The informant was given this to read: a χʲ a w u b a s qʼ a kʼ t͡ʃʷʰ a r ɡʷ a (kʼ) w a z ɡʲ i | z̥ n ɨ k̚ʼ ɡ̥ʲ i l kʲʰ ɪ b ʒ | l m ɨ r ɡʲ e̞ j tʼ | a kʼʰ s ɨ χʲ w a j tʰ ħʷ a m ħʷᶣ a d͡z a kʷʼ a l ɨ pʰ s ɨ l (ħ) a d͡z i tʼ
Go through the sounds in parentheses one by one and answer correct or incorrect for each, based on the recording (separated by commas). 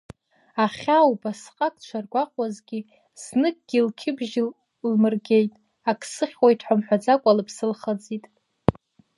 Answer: incorrect, incorrect